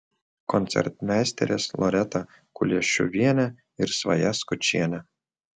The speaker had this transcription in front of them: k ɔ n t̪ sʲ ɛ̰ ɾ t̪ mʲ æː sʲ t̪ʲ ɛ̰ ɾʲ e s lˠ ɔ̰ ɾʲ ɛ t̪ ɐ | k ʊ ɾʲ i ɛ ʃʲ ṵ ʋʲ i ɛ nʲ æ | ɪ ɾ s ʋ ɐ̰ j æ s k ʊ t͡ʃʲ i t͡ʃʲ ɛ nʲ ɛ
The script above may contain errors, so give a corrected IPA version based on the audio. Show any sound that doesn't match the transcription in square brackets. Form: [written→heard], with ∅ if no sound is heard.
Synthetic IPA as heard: k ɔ n t̪ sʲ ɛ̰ ɾ t̪ mʲ æː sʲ t̪ʲ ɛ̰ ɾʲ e s lˠ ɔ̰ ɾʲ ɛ t̪ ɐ | k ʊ [ɾʲ→lʲ] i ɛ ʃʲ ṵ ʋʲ i ɛ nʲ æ | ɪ ɾ s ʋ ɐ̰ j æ s k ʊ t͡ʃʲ i [t͡ʃʲ→∅] ɛ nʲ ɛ